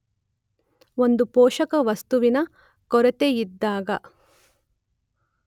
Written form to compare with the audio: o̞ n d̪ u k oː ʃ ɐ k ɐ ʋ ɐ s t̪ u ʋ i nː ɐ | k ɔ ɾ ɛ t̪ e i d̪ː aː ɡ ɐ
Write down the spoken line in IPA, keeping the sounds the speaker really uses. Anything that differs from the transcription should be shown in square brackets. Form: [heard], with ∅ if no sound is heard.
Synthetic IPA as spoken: o̞ n d̪ u [p] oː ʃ ɐ k ɐ ʋ ɐ s t̪ u ʋ i [n] ɐ | k ɔ ɾ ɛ t̪ e i d̪ː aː ɡ ɐ